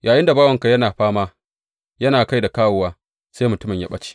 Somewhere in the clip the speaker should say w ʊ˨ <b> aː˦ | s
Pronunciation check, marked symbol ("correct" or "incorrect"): incorrect